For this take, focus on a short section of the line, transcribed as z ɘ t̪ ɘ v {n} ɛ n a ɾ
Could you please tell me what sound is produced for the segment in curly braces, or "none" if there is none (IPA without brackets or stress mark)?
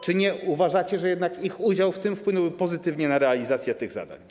ɲ